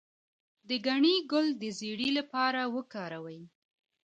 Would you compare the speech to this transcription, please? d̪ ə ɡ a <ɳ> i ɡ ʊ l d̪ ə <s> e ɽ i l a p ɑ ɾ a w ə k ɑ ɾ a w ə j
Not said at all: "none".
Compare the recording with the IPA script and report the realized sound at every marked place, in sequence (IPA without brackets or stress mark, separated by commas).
ɳ, z